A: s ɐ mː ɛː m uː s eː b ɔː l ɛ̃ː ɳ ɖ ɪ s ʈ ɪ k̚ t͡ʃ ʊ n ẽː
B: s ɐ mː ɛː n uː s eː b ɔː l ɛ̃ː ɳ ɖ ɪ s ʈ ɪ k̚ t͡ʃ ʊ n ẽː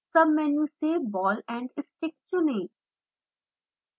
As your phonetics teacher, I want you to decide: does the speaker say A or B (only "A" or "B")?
B